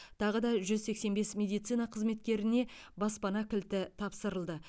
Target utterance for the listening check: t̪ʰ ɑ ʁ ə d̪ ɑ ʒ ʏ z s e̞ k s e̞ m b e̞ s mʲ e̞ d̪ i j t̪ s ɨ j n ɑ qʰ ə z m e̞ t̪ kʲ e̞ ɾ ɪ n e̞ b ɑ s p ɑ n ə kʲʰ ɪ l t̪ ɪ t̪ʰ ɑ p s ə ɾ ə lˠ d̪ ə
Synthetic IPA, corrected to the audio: t̪ʰ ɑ ʁ ə d̪ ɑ ʒ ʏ z s e̞ k s e̞ n b e̞ s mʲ e̞ d̪ i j t̪ s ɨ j n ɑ qʰ ə z m e̞ t̪ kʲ e̞ ɾ ɪ n e̞ b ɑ s p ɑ n ɑ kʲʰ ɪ l t̪ ɪ t̪ʰ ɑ p s ə ɾ ə lˠ d̪ ə